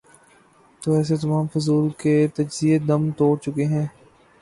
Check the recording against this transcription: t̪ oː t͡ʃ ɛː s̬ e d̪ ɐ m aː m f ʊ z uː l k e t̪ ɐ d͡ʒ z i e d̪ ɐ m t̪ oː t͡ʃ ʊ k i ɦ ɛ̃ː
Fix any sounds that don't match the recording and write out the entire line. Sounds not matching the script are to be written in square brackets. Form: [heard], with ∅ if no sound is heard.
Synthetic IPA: t̪ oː [∅] ɛː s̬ e [t̪] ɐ m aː m f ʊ z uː l k e t̪ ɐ d͡ʒ z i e d̪ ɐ m t̪ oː t͡ʃ ʊ k [e] ɦ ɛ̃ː